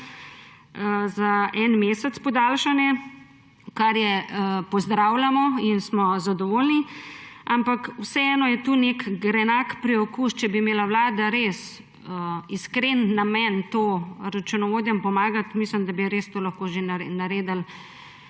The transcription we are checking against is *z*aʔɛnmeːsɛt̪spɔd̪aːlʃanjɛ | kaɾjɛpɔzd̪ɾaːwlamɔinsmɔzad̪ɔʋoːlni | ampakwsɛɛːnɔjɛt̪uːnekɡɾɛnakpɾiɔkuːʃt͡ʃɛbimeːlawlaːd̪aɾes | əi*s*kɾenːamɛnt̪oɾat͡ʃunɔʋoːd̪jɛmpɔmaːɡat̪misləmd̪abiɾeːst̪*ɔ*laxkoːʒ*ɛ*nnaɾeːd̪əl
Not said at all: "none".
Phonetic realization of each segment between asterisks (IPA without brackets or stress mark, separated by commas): z, s, o, e